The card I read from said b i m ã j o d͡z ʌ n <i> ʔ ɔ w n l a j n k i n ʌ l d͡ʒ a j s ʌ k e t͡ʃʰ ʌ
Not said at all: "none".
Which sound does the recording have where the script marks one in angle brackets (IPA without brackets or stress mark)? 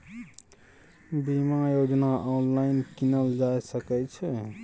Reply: a